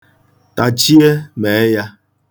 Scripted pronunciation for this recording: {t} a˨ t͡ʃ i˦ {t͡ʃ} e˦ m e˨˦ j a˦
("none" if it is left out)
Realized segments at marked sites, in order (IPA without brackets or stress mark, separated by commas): t, none